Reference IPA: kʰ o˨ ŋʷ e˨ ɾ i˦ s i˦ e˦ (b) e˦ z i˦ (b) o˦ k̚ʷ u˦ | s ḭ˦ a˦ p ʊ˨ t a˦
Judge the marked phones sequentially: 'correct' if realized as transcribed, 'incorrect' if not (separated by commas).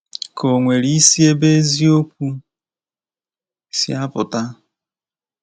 correct, incorrect